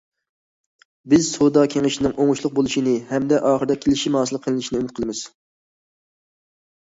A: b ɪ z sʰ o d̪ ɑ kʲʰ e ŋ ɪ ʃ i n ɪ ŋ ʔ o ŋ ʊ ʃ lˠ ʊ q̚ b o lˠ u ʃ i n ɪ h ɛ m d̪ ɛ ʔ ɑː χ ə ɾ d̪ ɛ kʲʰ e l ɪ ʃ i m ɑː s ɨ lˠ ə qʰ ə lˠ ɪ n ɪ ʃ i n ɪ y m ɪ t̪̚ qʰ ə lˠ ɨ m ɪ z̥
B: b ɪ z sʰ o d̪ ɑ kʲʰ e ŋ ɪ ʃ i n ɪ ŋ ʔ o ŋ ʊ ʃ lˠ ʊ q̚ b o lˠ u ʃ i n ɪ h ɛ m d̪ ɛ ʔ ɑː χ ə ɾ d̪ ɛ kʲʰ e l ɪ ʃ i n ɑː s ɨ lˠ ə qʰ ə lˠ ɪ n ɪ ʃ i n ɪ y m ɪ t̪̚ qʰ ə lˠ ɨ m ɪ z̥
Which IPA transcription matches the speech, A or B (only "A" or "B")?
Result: A